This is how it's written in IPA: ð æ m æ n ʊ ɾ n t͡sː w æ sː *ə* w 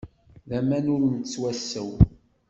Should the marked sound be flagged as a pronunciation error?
no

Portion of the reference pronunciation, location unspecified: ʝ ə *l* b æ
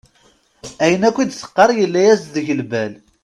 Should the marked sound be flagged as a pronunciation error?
no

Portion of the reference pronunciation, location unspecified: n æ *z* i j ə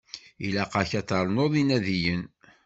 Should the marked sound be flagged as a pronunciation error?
yes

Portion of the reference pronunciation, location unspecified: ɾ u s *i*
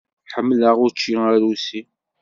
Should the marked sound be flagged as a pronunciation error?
no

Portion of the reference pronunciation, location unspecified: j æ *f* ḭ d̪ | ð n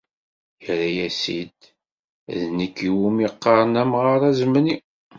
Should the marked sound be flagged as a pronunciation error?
yes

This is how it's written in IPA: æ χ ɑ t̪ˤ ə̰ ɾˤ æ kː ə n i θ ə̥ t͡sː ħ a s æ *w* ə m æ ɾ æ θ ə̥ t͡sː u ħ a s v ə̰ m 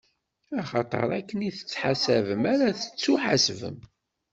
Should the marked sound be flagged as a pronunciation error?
yes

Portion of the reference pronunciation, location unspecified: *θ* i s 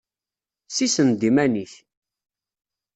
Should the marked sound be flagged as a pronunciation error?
yes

